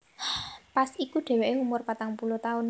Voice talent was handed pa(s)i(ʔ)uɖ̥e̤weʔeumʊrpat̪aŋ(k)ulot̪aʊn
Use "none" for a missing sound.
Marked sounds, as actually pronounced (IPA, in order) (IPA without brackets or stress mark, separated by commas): s, k, p